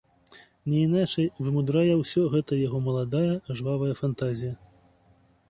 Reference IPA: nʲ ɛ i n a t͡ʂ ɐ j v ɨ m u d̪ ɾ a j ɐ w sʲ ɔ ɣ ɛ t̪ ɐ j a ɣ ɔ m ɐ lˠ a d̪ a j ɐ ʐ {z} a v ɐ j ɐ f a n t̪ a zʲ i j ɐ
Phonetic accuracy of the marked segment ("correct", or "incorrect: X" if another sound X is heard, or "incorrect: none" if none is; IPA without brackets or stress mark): incorrect: v